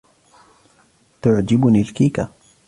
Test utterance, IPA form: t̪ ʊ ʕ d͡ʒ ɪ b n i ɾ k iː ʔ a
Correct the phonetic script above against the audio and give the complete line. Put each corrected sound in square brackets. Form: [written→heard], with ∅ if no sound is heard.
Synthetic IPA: t̪ ʊ ʕ d͡ʒ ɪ b n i [ɾ→l] k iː [ʔ→k] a